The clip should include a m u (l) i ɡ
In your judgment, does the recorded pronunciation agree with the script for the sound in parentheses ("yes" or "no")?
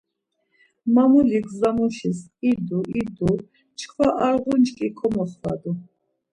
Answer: yes